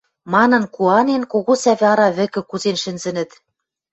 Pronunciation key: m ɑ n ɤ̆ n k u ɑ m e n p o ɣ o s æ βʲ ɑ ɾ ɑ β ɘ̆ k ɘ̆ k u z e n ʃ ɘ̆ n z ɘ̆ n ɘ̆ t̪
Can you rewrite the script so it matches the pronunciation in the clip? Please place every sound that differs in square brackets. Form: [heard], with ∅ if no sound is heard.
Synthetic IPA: m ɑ n ɤ̆ n k u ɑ [n] e n [k] o ɣ o s æ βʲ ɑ ɾ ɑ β ɘ̆ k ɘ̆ k u z e n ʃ ɘ̆ n z ɘ̆ n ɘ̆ t̪